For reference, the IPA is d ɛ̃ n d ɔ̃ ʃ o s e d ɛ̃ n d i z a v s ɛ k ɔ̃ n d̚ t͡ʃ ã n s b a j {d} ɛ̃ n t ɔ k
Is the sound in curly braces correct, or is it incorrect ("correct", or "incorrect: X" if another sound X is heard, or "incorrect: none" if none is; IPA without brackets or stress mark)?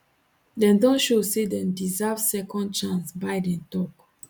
correct